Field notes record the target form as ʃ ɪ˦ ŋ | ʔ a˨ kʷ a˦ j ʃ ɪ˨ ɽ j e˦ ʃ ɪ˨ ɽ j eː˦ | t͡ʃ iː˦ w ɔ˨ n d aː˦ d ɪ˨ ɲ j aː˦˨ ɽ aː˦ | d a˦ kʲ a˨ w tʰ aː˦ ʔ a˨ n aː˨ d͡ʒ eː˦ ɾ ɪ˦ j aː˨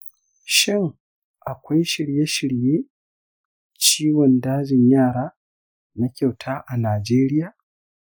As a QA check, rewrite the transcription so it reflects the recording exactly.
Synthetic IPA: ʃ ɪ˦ ŋ | ʔ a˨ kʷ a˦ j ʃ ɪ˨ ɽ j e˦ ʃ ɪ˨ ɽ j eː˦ | t͡ʃ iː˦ w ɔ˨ n d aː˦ d͡ʒ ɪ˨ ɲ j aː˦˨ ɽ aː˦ | n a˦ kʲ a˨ w tʰ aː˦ ʔ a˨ n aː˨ d͡ʒ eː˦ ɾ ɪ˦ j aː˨